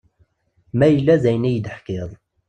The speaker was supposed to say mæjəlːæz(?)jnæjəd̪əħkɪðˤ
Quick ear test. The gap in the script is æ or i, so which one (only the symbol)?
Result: æ